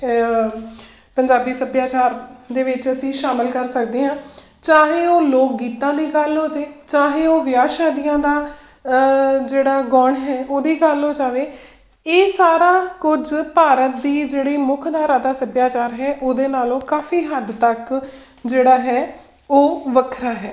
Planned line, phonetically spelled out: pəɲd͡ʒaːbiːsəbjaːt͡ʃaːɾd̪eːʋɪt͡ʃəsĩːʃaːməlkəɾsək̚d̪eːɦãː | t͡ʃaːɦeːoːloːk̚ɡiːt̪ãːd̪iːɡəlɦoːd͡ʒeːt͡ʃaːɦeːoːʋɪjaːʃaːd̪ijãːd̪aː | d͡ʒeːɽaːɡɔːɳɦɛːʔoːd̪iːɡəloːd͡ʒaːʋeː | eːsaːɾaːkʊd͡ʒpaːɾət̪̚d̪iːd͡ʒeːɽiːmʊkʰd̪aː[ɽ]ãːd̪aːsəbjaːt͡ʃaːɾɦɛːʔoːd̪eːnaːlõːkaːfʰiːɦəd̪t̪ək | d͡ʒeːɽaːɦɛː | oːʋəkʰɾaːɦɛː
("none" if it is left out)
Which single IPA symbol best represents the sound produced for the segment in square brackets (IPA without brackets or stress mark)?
ɾ